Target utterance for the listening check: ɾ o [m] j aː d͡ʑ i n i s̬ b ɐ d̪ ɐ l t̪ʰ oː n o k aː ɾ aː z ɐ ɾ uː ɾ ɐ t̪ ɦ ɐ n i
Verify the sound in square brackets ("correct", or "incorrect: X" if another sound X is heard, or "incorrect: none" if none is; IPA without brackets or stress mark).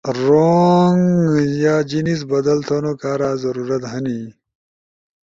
incorrect: ŋ